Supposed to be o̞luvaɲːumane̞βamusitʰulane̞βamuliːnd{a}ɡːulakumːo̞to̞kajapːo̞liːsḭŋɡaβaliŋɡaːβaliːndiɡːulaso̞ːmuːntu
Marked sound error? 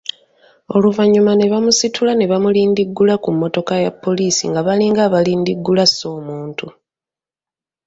yes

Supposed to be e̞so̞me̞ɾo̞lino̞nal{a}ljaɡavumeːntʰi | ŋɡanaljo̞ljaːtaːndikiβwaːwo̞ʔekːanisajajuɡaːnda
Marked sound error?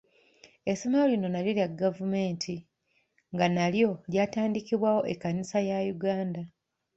yes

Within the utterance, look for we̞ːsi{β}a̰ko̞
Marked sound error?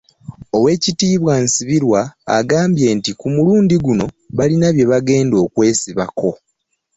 no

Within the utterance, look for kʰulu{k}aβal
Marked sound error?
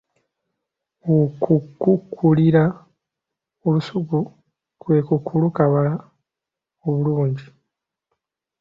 no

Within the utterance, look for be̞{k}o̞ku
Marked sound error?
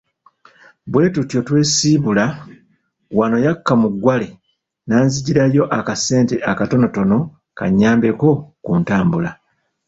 no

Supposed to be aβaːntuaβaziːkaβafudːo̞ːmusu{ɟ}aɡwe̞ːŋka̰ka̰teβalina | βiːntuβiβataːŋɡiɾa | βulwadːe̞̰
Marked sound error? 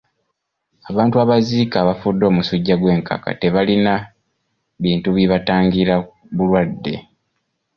yes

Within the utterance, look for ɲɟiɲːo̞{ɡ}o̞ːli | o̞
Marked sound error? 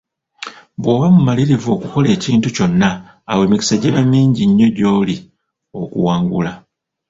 yes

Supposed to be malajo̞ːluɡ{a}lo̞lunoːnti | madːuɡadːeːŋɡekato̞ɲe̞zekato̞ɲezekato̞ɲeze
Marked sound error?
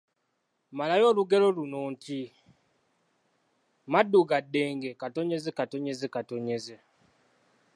yes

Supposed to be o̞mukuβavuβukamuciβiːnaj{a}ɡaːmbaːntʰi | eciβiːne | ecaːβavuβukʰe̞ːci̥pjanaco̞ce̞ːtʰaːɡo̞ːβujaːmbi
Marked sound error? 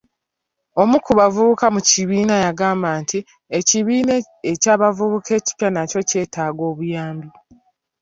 no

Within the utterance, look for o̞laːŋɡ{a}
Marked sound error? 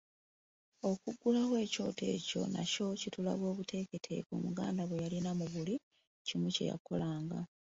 no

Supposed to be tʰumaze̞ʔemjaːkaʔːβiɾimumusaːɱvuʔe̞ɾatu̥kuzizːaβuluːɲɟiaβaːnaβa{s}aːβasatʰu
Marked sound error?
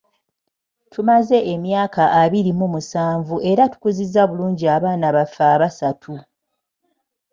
yes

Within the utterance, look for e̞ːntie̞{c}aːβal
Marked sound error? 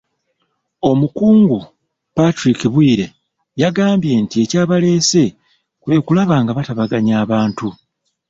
no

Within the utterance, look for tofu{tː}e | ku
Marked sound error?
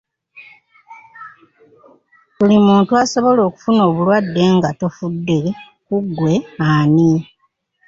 yes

